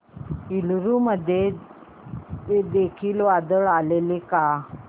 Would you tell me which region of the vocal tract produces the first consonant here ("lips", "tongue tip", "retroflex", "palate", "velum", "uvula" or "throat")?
tongue tip